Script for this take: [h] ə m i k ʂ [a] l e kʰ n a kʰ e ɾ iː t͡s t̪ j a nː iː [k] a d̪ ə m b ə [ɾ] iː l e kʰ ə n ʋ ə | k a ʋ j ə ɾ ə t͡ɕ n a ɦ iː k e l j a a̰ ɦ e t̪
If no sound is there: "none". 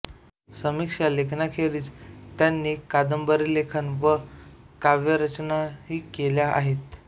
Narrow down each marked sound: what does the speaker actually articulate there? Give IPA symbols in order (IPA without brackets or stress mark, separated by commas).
s, a, k, ɾ